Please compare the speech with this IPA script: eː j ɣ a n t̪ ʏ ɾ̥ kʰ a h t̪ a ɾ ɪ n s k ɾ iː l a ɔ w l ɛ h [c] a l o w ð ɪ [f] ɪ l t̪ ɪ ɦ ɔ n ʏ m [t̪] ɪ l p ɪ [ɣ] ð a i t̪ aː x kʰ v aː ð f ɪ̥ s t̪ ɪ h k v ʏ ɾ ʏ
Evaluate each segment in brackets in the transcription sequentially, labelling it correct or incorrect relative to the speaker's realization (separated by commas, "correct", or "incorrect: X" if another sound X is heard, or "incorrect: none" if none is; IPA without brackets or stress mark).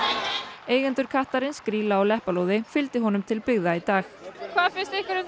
incorrect: p, correct, incorrect: t̪ʰ, correct